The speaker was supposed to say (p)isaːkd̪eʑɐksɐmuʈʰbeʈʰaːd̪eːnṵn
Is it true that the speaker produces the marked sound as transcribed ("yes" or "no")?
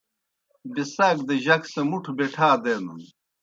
no